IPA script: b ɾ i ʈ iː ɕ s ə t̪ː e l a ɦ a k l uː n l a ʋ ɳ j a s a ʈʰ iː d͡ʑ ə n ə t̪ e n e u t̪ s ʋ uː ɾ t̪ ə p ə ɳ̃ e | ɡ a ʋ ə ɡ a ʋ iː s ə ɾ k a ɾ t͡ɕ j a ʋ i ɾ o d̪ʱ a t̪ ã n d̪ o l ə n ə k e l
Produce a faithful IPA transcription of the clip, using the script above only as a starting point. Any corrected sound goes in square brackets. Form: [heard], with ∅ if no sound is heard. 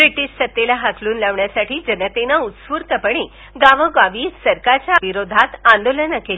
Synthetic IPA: b ɾ i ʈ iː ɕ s ə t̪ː e l a ɦ a k l uː n l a ʋ ɳ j a s a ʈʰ iː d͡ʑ ə n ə t̪ e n [a] u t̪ s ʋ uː ɾ t̪ ə p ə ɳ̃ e | ɡ a ʋ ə ɡ a ʋ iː s ə ɾ k a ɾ t͡ɕ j a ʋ i ɾ o d̪ʱ a t̪ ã n d̪ o l ə n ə k e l

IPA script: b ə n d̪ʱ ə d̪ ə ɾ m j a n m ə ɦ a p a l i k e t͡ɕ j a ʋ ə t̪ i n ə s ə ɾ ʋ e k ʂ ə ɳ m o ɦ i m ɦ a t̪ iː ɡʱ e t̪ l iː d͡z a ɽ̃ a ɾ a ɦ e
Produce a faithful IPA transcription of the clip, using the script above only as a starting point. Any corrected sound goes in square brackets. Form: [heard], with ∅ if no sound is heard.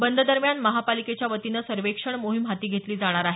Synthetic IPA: b ə n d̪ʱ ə d̪ ə ɾ m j a n m ə ɦ a p a l i k e t͡ɕ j a ʋ ə t̪ i n ə s ə ɾ ʋ e k ʂ ə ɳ m o ɦ i m ɦ a t̪ iː ɡʱ e t̪ l iː d͡z a ɽ̃ a ɾ a ɦ e

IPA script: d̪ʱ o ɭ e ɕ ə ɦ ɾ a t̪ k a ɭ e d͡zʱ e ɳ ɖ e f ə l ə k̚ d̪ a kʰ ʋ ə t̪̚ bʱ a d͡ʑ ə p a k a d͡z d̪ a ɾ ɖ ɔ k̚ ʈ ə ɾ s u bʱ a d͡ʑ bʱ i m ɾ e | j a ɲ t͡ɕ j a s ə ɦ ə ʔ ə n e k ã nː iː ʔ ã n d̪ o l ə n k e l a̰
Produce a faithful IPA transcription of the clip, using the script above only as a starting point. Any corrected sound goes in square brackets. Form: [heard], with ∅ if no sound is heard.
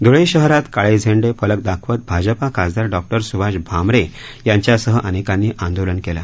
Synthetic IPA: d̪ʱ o ɭ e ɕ ə ɦ ɾ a t̪ k a ɭ e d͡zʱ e ɳ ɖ e f ə l ə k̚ d̪ a kʰ ʋ ə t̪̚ bʱ a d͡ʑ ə p a k a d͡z d̪ a ɾ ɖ ɔ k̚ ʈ ə ɾ s u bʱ a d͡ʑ bʱ [a] m ɾ e | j a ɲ t͡ɕ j a s ə ɦ ə ʔ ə n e k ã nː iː ʔ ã n d̪ o l ə n k e l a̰

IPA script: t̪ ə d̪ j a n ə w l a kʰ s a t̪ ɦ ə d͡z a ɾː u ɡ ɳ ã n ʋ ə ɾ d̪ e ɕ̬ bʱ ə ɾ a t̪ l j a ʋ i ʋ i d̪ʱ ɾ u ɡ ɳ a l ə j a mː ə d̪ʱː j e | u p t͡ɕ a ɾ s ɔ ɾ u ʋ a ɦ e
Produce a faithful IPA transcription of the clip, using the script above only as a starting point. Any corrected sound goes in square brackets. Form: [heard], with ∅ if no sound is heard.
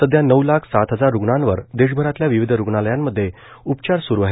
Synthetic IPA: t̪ ə d̪ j a n ə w l a kʰ s a t̪ ɦ ə d͡z a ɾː u ɡ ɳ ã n ʋ ə ɾ d̪ e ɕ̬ bʱ ə ɾ a t̪ l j a ʋ i ʋ i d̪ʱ ɾ u ɡ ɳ a l ə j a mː ə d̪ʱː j e | u p t͡ɕ a ɾ s [u] ɾ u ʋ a ɦ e

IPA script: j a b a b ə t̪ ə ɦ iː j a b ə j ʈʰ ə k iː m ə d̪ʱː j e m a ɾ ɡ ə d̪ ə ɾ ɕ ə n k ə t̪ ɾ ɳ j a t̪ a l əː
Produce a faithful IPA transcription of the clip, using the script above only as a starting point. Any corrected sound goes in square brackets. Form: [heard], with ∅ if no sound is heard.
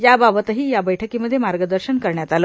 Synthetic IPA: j a b a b ə t̪ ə ɦ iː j a b ə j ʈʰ ə k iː m ə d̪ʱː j e m a ɾ ɡ ə d̪ ə ɾ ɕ ə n k ə [∅] ɾ ɳ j a t̪ a l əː

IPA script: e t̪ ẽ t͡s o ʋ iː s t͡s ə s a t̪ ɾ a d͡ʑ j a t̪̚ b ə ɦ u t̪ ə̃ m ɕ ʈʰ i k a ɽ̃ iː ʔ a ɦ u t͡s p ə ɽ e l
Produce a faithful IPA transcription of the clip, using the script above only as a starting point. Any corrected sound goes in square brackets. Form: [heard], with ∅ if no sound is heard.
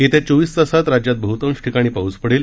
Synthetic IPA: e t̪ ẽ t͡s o ʋ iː s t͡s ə s a t̪ ɾ a d͡ʑ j a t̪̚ b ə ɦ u t̪ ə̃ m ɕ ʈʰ i k a ɽ̃ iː [p] a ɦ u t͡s p ə ɽ e l

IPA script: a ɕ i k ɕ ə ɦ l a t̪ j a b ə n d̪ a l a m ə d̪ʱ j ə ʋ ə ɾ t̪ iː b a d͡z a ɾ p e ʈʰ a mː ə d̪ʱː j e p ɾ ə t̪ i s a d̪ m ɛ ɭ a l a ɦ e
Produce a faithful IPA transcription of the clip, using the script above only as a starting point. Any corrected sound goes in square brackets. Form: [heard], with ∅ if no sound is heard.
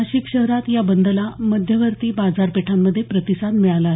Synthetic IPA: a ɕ i k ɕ ə ɦ [ɾ] a t̪ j a b ə n d̪ [ə] l a m ə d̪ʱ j ə ʋ ə ɾ t̪ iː b a d͡z a ɾ p e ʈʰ a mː ə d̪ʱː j e p ɾ ə t̪ i s a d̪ m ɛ ɭ a l a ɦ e

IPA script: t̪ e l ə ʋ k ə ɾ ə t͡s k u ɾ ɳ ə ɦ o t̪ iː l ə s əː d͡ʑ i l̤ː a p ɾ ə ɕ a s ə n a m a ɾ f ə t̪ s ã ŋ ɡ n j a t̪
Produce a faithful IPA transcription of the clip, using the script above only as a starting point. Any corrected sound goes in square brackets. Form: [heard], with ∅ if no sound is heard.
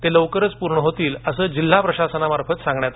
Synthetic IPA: t̪ e l ə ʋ k ə ɾ ə t͡s [p] u ɾ ɳ ə ɦ o t̪ iː l ə s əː d͡ʑ i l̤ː a p ɾ ə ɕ a s ə n a m a ɾ f ə t̪ s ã ŋ ɡ [ɳ] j a t̪

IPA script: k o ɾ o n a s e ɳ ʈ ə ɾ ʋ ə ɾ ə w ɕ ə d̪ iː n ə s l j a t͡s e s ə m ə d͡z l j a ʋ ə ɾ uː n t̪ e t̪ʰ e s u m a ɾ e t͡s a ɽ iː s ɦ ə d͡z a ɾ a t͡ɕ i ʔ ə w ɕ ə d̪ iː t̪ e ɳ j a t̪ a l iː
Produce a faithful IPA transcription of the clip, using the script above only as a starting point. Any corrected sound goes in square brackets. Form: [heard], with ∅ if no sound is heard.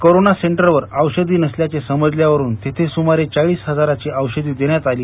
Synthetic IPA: k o ɾ o n a s e ɳ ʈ ə ɾ ʋ ə ɾ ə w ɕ ə d̪ iː n ə s l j a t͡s e s ə m ə d͡z l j a ʋ ə ɾ uː n t̪ e t̪ʰ e s u m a ɾ e t͡s a [ɭ] iː s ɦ ə d͡z a ɾ a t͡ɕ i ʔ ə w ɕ ə d̪ iː [d̪] e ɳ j a t̪ a l iː

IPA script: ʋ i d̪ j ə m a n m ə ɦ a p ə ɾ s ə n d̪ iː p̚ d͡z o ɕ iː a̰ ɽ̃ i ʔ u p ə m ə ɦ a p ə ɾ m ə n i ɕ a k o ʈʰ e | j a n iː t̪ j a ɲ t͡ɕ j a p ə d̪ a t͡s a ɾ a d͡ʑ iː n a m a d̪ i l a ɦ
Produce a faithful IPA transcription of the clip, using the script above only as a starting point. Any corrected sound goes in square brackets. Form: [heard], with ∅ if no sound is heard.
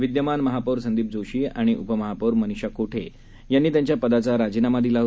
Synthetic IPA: ʋ i d̪ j ə m a n m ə ɦ a p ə ɾ s ə n d̪ iː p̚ d͡z o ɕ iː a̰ ɽ̃ i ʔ u p ə m ə ɦ a p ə ɾ m ə n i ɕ a k o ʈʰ e | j a [nː] iː t̪ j a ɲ t͡ɕ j a p ə d̪ a t͡s a ɾ a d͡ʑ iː n a m a d̪ i l a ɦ

